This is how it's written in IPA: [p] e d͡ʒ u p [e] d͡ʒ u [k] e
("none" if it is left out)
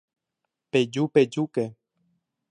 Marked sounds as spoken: p, e, k

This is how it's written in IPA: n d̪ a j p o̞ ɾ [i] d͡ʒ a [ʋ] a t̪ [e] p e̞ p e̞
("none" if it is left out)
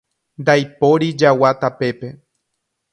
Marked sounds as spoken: i, w, a

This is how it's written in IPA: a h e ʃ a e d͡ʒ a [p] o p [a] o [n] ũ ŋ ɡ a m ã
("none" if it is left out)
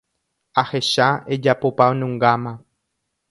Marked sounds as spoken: p, a, n

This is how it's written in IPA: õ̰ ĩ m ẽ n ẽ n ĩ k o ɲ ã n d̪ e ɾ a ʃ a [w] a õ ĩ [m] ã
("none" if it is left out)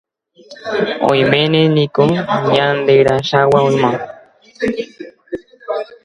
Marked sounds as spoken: w, m

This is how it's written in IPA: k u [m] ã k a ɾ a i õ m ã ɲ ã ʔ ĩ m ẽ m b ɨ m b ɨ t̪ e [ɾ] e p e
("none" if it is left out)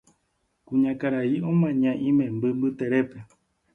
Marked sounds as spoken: ɲ, ɾ

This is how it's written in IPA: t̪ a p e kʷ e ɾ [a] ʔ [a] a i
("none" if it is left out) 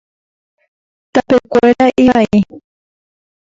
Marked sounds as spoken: a, i

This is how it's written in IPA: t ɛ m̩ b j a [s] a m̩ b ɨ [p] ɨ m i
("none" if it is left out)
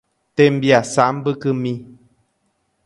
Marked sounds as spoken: s, k

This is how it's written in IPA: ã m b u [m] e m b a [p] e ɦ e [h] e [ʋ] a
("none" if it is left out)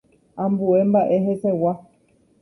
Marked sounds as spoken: none, ʔ, s, w

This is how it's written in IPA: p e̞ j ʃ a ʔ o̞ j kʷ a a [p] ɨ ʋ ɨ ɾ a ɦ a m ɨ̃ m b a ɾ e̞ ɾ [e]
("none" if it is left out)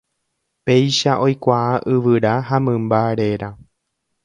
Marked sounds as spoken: ʔ, a

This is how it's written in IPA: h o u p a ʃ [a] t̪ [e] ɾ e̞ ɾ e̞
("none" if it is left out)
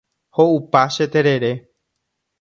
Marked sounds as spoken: e, e

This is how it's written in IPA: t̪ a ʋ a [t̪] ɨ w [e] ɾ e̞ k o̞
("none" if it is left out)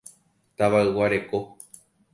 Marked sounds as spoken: none, a

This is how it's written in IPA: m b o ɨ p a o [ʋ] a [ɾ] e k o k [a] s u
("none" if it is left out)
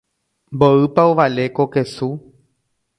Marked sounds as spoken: ʋ, l, e

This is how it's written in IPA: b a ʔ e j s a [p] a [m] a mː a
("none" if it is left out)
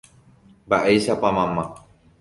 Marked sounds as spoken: p, m

